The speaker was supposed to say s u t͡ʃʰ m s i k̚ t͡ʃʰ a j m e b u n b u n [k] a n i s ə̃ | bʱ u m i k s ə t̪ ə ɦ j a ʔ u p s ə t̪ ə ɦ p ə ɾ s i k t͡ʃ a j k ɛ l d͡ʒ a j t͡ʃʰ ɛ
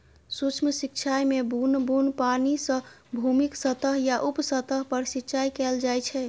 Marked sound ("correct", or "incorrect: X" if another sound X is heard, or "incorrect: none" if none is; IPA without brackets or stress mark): incorrect: p